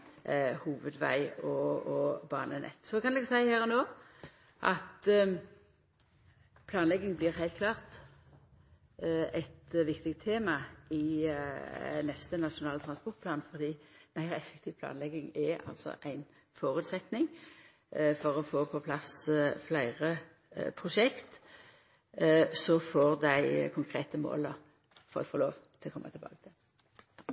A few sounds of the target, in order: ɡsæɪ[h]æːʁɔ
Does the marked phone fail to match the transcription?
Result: no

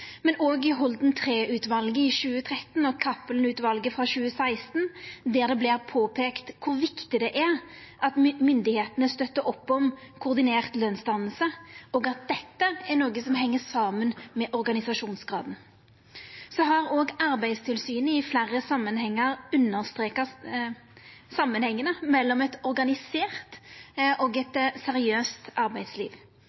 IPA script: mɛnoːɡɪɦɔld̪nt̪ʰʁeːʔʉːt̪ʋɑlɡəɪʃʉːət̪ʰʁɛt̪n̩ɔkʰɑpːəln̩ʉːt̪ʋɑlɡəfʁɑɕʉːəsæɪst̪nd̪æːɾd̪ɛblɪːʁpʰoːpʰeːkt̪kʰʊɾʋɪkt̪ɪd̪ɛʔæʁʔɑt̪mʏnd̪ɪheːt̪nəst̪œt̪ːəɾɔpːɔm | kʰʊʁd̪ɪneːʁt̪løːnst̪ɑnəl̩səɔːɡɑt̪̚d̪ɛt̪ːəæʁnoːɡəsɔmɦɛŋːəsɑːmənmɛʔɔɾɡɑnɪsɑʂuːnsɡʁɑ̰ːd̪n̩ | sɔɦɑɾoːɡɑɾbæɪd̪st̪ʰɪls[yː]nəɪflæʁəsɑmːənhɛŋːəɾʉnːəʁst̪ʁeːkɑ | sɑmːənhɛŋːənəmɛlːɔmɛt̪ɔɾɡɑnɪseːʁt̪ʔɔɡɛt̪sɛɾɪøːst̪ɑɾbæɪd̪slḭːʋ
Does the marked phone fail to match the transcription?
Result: no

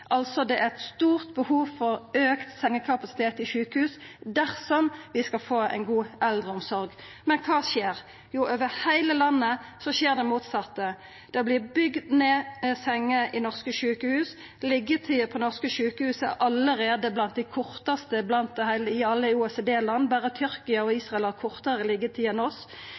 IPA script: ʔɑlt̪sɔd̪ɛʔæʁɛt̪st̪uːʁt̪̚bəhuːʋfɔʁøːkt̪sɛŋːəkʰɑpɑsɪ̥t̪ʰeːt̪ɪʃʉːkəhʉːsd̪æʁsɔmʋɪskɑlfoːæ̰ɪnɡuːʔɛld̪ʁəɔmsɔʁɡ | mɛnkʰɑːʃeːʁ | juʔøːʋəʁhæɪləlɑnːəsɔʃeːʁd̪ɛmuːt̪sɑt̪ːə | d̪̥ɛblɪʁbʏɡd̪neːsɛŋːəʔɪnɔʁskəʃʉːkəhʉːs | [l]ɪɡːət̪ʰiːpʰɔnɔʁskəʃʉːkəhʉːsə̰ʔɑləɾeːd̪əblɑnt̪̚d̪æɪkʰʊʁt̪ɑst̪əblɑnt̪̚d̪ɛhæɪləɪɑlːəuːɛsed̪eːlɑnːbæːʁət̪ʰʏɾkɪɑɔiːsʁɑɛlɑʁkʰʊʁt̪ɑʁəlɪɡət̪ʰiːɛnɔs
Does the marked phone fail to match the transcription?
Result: no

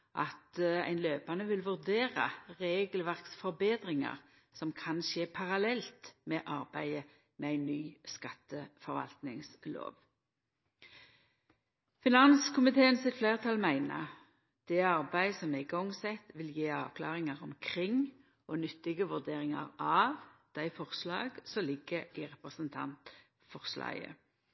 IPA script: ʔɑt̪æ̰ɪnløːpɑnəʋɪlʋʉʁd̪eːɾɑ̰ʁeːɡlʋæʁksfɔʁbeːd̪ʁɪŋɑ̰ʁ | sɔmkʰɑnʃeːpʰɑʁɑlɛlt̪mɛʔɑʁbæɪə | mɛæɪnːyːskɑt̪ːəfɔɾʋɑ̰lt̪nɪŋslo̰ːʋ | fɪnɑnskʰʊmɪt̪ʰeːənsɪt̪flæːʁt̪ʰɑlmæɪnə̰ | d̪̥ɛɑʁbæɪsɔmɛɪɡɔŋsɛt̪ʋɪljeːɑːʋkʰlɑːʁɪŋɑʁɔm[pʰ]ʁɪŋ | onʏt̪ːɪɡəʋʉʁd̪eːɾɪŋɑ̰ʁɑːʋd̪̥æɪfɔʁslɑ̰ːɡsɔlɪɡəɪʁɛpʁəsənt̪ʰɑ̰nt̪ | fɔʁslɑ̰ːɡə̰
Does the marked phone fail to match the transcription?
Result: yes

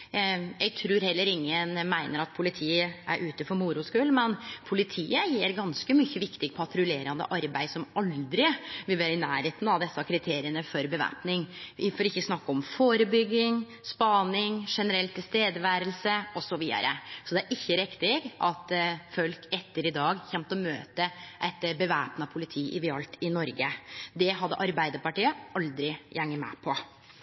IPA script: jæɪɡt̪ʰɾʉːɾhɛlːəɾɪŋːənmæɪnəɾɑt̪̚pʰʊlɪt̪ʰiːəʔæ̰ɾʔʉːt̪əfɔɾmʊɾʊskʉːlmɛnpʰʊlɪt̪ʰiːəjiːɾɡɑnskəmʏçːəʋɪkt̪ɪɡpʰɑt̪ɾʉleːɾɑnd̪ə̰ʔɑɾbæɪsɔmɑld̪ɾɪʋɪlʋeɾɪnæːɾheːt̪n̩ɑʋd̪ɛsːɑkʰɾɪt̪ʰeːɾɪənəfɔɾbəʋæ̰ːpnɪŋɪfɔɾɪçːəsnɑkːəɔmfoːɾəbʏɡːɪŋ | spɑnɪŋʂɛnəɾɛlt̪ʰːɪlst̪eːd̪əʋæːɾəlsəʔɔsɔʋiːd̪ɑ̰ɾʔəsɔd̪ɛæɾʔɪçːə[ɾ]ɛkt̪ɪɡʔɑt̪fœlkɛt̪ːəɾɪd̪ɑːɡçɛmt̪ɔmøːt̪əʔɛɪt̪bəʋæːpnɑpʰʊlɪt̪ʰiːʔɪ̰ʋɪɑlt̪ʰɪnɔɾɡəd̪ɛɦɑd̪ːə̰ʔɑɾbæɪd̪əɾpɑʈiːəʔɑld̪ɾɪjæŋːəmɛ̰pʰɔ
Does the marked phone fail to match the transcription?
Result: no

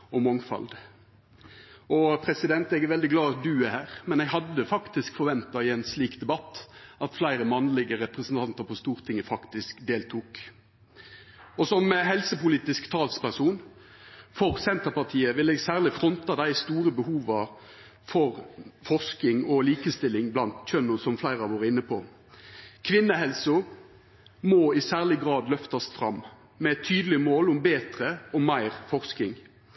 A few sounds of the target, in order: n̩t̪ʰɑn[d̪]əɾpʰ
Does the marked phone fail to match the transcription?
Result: yes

